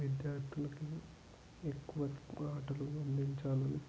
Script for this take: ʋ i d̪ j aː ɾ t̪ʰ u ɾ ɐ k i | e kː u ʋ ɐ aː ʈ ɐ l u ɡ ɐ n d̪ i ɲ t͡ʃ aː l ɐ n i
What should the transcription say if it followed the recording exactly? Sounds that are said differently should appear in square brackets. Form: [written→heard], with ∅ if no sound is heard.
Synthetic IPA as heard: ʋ i d̪ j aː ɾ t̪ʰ u [ɾ→l] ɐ k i | e kː u ʋ ɐ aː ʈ ɐ l u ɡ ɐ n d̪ i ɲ t͡ʃ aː l ɐ n i